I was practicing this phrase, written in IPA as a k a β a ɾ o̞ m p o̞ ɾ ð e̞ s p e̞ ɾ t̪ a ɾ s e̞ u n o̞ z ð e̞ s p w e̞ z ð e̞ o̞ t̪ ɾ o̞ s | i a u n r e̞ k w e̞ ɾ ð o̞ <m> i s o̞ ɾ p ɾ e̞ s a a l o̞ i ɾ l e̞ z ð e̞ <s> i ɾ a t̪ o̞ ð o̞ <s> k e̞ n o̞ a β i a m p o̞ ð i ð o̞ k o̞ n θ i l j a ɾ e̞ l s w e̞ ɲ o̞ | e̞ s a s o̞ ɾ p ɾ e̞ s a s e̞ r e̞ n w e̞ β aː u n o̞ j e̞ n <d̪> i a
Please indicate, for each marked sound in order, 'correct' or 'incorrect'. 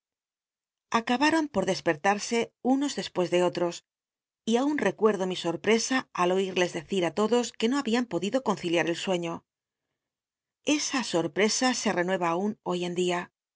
correct, incorrect, correct, correct

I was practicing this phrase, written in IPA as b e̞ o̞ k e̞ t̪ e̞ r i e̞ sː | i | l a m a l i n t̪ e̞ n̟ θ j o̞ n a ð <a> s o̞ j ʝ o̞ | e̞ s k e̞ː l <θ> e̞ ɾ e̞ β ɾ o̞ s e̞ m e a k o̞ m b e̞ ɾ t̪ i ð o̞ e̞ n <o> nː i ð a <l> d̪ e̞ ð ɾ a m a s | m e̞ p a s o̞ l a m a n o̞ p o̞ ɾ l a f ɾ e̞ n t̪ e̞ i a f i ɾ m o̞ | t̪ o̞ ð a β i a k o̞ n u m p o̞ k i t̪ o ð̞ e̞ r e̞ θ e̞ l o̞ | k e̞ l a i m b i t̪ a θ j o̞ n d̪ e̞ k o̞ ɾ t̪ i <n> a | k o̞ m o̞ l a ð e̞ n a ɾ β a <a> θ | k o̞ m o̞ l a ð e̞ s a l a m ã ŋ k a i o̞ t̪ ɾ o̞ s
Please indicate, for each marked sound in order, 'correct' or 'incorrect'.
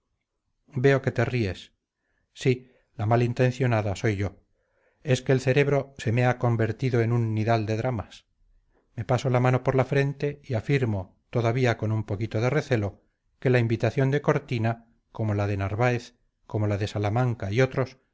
correct, correct, incorrect, correct, correct, incorrect

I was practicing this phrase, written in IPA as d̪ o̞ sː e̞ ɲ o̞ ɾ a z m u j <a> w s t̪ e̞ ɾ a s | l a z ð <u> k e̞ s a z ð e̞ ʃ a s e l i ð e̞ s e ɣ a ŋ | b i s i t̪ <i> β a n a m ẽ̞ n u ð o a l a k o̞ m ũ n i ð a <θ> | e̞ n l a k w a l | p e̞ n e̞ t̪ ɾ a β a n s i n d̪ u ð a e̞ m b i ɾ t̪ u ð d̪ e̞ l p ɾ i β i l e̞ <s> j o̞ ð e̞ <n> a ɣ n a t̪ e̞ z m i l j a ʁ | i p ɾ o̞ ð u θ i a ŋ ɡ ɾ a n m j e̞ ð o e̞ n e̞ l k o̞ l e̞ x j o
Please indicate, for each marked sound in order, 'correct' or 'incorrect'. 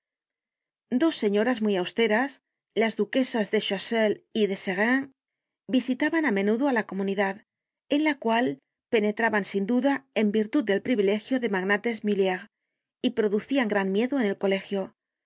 correct, correct, incorrect, incorrect, incorrect, incorrect

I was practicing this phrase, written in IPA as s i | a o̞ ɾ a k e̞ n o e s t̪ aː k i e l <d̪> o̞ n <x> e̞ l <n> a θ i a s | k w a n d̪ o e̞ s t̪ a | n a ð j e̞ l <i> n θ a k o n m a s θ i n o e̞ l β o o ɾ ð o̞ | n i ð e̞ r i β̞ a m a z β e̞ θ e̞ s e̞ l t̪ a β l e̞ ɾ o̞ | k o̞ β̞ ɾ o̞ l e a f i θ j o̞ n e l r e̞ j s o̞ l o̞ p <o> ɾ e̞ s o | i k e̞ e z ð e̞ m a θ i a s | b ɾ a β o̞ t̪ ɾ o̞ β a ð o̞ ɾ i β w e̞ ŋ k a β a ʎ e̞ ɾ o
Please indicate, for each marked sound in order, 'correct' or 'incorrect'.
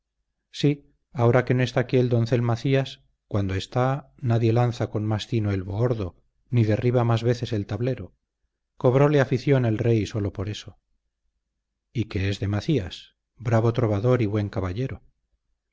correct, incorrect, incorrect, incorrect, correct

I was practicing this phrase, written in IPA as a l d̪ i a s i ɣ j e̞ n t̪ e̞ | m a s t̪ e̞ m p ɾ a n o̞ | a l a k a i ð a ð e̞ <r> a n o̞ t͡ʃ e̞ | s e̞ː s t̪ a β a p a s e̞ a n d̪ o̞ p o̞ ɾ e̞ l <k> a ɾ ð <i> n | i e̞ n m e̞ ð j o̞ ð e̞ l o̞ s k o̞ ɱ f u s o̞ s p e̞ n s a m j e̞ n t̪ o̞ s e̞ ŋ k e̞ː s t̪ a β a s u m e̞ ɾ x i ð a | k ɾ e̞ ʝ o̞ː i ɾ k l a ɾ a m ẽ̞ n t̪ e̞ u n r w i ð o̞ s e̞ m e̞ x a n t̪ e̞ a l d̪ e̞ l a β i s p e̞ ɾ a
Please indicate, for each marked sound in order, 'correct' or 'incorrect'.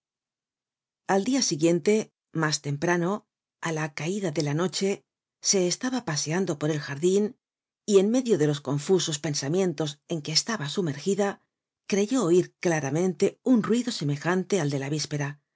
incorrect, incorrect, correct

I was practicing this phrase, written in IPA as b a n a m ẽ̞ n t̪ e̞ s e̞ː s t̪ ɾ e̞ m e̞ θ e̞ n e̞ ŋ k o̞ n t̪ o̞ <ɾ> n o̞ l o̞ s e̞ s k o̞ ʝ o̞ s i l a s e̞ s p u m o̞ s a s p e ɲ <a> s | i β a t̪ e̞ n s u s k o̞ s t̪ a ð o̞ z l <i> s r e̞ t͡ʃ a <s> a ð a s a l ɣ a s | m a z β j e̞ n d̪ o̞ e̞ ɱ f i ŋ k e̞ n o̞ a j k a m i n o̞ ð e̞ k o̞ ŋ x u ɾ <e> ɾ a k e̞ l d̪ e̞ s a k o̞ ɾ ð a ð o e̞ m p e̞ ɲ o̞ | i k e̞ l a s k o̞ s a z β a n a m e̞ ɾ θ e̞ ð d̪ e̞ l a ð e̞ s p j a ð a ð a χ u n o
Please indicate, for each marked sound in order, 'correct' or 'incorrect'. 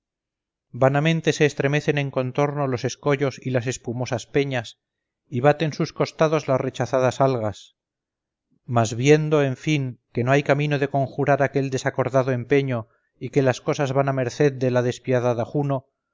correct, correct, incorrect, incorrect, incorrect

